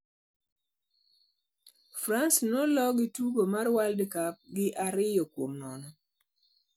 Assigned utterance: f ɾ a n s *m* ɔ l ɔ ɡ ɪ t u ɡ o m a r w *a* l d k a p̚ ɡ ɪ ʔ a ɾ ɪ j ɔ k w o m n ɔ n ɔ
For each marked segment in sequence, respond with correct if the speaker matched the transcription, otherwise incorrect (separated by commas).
incorrect, correct